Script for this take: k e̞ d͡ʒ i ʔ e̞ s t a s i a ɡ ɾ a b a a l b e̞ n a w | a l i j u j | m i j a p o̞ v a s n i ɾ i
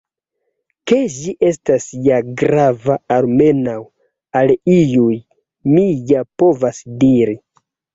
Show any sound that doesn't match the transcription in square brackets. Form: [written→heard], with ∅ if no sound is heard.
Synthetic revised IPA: k e̞ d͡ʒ i ʔ e̞ s t a s [i→j] a ɡ ɾ a [b→v] a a l [b→m] e̞ n a w | a l i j u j | m i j a p o̞ v a s [n→d] i ɾ i